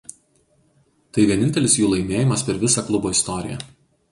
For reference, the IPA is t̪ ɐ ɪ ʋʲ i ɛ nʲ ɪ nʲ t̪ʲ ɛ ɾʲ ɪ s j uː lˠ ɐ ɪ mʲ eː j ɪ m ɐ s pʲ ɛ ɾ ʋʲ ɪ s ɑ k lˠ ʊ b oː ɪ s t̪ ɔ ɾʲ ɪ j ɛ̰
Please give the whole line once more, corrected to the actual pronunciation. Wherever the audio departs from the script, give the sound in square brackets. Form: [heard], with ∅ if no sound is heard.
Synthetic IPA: t̪ ɐ ɪ ʋʲ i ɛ nʲ ɪ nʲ t̪ʲ ɛ [lʲ] ɪ s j uː lˠ ɐ ɪ mʲ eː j ɪ m ɐ s pʲ ɛ ɾ ʋʲ ɪ s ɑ k lˠ ʊ b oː ɪ s t̪ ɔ ɾʲ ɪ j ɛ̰